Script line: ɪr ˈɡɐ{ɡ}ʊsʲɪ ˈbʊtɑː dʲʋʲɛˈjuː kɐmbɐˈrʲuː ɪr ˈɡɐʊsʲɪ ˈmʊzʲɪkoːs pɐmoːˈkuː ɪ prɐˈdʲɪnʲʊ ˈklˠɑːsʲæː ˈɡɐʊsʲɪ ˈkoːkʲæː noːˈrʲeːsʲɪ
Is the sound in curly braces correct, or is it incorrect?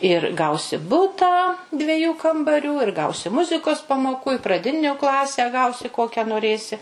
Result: incorrect